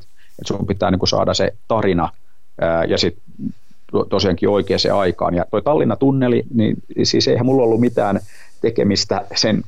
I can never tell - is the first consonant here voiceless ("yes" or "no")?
yes